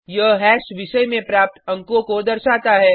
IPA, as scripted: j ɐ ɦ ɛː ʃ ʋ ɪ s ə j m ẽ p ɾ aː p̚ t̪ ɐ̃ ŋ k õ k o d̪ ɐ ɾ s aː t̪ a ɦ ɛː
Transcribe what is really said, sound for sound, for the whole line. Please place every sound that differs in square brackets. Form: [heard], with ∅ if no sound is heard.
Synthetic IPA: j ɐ ɦ ɛː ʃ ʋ ɪ [ʃ] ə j m ẽ p ɾ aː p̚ t̪ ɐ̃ ŋ k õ k o d̪ ɐ ɾ [ʃ] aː t̪ a ɦ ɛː